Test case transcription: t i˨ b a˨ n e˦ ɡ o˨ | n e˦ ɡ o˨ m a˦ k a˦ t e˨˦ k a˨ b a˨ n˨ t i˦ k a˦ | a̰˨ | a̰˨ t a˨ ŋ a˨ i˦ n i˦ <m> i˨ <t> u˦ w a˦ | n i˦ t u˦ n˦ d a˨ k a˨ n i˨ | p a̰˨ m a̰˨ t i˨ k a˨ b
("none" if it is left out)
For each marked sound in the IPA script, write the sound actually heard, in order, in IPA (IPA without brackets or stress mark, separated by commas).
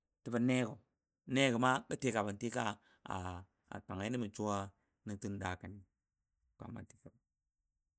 m, t͡ʃ